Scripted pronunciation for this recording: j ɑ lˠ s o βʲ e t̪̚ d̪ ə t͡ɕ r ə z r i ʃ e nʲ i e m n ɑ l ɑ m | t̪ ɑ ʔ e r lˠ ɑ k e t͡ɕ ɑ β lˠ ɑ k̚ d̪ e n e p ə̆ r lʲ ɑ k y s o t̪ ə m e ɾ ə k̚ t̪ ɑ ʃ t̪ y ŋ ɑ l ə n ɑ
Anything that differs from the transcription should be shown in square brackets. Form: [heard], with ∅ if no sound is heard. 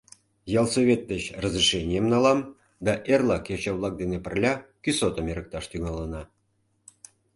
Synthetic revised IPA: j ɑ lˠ s o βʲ e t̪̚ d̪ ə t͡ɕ r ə z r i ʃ e nʲ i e m n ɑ l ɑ m | [d̪] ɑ ʔ e r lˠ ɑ k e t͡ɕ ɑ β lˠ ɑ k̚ d̪ e n e p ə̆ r lʲ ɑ k y s o t̪ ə m e ɾ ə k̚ t̪ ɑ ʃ t̪ y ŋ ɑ l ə n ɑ